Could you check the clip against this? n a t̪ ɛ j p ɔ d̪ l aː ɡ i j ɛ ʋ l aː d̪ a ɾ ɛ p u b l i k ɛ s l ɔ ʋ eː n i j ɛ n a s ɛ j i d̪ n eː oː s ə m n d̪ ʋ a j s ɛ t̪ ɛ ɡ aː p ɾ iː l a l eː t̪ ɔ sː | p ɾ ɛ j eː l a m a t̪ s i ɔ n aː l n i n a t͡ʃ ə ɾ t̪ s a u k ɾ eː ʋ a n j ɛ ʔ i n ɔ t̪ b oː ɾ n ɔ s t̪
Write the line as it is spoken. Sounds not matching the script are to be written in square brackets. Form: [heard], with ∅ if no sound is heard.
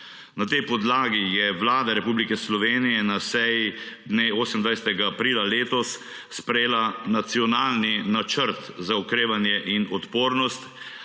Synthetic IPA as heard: n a t̪ ɛ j p ɔ d̪ l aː ɡ i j ɛ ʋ l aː d̪ a ɾ ɛ p u b l i k ɛ s l ɔ ʋ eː n i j ɛ n a s ɛ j i d̪ n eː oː s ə m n d̪ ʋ a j s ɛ t̪ ɛ ɡ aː p ɾ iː l a l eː t̪ ɔ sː | p ɾ ɛ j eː l a [n] a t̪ s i ɔ n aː l n i n a t͡ʃ ə ɾ t̪ [z] a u k ɾ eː ʋ a n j ɛ ʔ i n ɔ t̪ [p] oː ɾ n ɔ s t̪